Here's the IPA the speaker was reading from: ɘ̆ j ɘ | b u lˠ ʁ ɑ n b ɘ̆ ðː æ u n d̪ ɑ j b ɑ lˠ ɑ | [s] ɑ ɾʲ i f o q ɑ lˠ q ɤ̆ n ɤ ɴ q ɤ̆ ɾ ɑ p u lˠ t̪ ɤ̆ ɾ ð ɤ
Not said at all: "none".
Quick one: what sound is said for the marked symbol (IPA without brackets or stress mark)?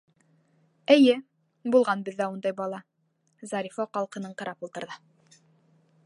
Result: z